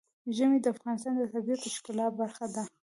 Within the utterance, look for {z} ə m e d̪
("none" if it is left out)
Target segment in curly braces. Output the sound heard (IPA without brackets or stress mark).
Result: ʒ